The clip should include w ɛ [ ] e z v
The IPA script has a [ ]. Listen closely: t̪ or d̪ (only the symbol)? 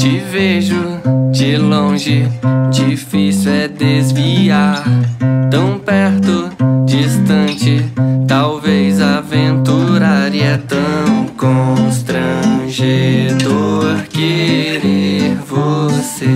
d̪